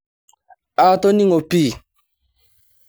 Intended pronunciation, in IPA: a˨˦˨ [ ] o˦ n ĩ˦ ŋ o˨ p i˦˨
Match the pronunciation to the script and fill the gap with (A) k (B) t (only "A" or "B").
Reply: B